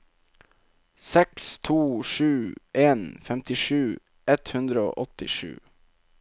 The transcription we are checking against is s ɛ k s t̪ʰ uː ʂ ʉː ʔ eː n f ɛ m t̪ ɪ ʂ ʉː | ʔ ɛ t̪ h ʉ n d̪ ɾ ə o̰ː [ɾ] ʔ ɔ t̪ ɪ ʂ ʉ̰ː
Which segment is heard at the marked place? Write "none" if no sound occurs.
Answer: none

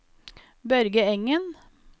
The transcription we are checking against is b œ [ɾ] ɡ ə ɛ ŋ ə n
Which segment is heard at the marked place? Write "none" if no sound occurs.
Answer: ɾ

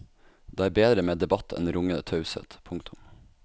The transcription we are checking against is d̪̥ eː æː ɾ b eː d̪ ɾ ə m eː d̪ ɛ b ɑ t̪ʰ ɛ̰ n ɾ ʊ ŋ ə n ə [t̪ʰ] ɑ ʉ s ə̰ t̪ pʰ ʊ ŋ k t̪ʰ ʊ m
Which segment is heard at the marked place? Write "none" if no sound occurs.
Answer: t̪ʰ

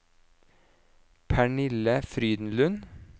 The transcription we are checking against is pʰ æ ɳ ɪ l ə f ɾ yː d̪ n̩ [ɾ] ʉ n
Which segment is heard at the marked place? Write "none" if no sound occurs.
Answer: l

